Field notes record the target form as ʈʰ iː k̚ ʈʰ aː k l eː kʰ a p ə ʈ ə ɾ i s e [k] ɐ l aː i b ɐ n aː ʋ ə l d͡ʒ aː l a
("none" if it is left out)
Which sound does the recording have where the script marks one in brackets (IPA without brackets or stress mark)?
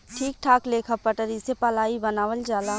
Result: p